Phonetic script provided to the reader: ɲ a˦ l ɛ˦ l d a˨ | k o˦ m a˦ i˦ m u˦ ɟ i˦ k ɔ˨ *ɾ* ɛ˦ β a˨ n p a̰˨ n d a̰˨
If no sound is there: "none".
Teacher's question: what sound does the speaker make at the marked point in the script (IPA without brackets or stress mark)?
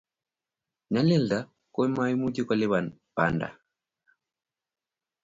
l